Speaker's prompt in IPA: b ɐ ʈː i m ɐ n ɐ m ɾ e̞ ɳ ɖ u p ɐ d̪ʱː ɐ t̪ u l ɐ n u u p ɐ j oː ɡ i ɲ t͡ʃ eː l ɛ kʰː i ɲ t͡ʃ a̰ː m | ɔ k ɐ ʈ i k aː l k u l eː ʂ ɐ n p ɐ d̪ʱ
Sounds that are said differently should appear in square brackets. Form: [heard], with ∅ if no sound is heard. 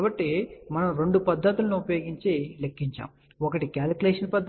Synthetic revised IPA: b ɐ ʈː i m ɐ n ɐ m ɾ e̞ ɳ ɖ u p ɐ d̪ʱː ɐ t̪ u l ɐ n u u p ɐ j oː ɡ i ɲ t͡ʃ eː l [e] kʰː i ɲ t͡ʃ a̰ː m | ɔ k ɐ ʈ i k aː l k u l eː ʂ ɐ n p ɐ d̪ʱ